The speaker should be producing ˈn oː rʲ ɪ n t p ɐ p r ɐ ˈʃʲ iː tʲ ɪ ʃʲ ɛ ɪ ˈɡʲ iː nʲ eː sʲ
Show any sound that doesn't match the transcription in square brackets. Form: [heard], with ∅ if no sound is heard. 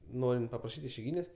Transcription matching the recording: ˈn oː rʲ ɪ n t p ɐ p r ɐ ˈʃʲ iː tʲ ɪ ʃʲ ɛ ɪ ˈɡʲ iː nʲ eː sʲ